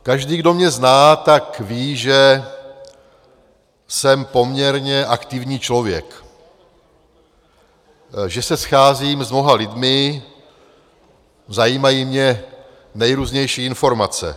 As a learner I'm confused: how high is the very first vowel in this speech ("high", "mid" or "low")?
low